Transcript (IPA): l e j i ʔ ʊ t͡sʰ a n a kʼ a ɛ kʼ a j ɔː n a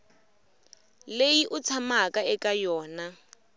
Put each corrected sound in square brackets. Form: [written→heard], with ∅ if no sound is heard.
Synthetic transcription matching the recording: l e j i ʔ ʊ t͡sʰ a [n→m] a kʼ a ɛ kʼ a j ɔː n a